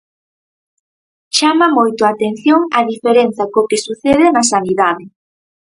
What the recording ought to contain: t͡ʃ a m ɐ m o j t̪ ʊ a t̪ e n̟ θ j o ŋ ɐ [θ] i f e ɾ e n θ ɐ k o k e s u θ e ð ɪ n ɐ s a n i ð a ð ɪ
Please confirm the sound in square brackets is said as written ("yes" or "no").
no